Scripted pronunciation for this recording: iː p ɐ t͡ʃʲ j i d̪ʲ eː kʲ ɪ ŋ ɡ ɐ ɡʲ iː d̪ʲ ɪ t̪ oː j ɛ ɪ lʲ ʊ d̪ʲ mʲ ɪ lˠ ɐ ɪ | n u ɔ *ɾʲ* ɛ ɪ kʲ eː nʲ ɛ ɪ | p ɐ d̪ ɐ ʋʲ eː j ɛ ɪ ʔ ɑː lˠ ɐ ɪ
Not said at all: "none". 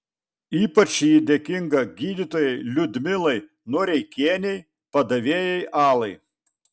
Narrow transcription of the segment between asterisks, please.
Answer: ɾʲ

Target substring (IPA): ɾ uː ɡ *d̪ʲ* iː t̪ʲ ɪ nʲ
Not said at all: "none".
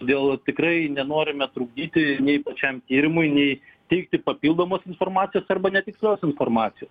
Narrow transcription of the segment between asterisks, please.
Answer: d̪ʲ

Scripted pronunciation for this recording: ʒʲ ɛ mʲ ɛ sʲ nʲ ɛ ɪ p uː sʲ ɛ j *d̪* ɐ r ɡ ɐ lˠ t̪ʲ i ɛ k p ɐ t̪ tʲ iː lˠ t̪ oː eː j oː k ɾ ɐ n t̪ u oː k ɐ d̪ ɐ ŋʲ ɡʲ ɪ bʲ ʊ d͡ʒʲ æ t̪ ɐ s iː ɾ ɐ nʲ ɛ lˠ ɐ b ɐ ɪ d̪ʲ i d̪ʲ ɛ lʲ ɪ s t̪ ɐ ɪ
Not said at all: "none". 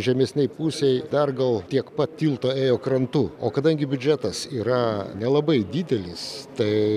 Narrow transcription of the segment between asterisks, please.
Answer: d̪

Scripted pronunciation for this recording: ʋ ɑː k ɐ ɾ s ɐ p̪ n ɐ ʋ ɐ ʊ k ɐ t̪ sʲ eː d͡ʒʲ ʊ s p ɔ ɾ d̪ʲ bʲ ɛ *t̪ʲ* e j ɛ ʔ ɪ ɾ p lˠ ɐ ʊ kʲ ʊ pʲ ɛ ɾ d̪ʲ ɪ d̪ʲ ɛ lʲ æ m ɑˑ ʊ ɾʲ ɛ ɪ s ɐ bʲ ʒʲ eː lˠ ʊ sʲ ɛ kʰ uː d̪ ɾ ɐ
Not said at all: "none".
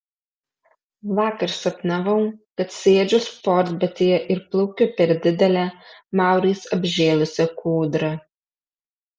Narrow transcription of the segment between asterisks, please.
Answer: t̪ʲ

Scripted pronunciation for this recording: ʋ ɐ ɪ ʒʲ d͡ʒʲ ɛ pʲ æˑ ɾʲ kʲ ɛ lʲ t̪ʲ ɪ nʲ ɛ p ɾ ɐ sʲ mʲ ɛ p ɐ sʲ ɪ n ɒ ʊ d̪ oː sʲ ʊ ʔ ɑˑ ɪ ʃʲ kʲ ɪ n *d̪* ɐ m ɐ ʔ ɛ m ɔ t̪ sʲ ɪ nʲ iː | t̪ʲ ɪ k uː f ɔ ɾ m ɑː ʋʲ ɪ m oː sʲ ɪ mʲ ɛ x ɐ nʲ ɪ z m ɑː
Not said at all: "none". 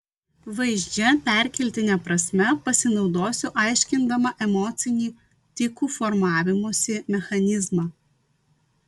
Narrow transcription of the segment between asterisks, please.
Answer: d̪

